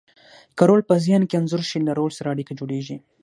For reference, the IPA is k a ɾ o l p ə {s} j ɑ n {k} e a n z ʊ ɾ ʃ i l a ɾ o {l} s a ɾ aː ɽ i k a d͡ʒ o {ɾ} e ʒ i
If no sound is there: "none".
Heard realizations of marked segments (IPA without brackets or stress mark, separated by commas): z, k, l, ɽ